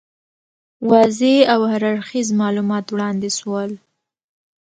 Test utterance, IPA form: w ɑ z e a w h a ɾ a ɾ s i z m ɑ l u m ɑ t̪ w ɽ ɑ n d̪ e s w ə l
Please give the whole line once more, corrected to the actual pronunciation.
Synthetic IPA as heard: w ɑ z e a w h a ɾ a ɾ x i z m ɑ l u m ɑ t̪ w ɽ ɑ n d̪ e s w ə l